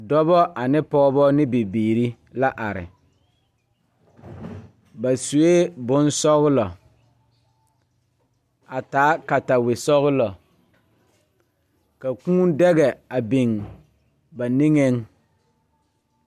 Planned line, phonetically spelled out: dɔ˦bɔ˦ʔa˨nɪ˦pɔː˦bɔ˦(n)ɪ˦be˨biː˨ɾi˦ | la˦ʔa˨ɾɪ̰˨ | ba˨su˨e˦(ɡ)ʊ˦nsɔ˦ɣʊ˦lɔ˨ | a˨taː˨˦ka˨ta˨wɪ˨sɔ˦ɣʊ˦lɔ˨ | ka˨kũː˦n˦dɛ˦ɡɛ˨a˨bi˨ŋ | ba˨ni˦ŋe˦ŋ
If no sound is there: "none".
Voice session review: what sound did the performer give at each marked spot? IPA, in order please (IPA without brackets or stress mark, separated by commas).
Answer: n, b